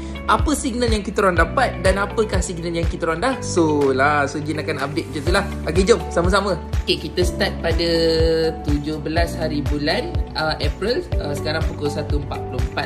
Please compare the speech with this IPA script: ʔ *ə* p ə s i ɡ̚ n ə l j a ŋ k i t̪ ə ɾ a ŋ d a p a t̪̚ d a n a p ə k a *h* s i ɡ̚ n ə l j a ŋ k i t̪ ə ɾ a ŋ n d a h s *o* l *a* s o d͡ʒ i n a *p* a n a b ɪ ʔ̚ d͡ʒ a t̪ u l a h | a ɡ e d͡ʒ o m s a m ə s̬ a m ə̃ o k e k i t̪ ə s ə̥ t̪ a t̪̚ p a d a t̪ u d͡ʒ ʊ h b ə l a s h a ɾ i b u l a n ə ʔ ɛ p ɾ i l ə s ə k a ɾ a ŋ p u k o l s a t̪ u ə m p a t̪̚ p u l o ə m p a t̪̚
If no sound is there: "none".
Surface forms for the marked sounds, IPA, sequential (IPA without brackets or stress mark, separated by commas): a, h, o, a, k